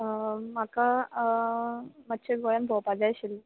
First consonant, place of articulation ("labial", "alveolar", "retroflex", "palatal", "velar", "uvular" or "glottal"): labial